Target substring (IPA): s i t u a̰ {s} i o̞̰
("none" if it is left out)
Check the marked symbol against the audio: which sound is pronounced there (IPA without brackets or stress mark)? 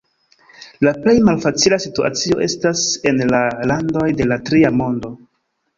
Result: t͡s